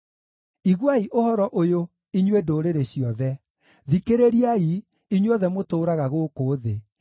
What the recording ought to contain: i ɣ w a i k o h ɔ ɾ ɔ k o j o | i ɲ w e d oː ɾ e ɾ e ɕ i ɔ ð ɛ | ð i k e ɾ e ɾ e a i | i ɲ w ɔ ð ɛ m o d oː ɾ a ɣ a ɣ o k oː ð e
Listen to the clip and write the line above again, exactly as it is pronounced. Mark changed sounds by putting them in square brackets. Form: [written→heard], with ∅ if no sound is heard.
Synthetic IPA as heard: i ɣ w a i [k→ʔ] o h ɔ ɾ ɔ [k→ʔ] o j o | i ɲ w e d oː ɾ e ɾ e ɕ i ɔ ð ɛ | ð i k e ɾ e ɾ [e→i] a i | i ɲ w ɔ ð ɛ m o [d→t] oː ɾ a ɣ a ɣ o k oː ð e